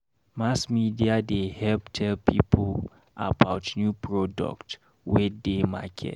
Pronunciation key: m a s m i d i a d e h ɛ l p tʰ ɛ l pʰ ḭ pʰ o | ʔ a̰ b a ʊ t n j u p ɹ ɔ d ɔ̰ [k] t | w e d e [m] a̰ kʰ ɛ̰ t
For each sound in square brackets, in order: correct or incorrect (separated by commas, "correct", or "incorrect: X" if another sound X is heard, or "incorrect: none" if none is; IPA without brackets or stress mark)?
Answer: correct, correct